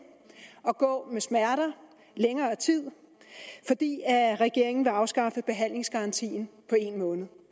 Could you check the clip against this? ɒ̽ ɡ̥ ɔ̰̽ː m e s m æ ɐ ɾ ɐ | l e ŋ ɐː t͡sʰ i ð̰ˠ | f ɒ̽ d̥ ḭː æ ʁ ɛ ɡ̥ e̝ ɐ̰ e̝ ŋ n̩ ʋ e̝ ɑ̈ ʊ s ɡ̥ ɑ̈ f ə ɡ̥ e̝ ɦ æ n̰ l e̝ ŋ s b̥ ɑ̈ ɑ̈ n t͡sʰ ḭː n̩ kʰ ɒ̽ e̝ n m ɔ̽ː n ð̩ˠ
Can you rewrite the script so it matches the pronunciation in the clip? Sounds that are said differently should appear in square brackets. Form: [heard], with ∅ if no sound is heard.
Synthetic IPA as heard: ɒ̽ ɡ̥ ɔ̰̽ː m e s m æ ɐ ɾ ɐ | l e ŋ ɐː t͡sʰ i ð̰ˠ | f ɒ̽ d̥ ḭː æ ʁ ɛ ɡ̥ e̝ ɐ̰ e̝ ŋ n̩ ʋ e̝ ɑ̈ ʊ s ɡ̥ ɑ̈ f ə [b̥] e̝ ɦ æ n̰ l e̝ ŋ s [ɡ̥] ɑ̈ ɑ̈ n t͡sʰ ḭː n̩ [pʰ] ɒ̽ e̝ n m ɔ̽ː n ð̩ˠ